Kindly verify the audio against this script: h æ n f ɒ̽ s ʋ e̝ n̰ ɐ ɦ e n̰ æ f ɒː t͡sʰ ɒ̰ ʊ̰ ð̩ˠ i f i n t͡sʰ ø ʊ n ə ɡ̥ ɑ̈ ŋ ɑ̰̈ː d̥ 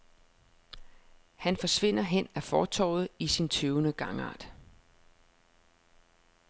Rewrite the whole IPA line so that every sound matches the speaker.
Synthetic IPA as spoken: h æ n f ɒ̽ s ʋ e̝ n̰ ɐ ɦ e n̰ æ f ɒː t͡sʰ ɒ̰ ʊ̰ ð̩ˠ i s i n t͡sʰ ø ʊ n ə ɡ̥ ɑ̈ ŋ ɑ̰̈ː d̥